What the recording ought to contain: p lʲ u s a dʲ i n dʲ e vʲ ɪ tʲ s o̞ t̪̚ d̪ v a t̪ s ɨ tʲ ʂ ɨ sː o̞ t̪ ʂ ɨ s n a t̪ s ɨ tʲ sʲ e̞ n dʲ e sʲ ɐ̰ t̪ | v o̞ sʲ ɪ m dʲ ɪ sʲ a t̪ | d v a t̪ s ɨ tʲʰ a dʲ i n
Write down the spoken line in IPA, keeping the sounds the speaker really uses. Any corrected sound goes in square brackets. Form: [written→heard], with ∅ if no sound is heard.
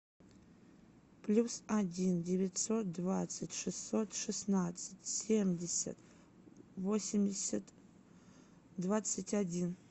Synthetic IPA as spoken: p lʲ u s a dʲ i n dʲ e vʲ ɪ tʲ s o̞ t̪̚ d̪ v a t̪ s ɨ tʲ ʂ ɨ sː o̞ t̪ ʂ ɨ s n a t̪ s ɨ tʲ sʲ e̞ [n→m] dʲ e sʲ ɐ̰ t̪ | v o̞ sʲ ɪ m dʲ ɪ sʲ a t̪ | d v a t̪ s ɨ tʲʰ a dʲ i n